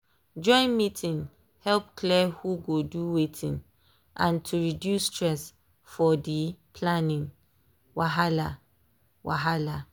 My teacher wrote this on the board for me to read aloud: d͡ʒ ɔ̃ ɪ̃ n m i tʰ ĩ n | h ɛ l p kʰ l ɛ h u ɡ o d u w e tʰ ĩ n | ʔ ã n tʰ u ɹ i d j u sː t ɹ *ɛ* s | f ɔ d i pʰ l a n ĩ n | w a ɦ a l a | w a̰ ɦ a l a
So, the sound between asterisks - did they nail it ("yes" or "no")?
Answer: yes